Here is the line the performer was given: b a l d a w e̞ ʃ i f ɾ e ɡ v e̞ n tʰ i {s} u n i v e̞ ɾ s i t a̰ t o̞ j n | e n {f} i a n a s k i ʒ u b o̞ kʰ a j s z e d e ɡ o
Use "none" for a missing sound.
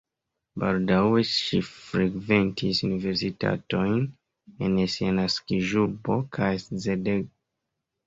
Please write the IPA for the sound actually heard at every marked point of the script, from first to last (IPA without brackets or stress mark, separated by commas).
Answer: s, s